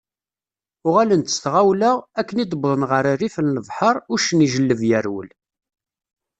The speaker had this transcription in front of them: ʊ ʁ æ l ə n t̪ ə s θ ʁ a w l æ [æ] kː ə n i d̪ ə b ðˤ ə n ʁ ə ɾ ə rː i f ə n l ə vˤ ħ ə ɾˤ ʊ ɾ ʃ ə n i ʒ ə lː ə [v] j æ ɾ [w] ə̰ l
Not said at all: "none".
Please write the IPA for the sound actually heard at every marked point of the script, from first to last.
æ, v, w

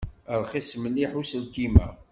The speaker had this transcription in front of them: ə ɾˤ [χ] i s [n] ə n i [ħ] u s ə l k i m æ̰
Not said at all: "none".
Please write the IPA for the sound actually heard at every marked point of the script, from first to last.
χ, m, ħ

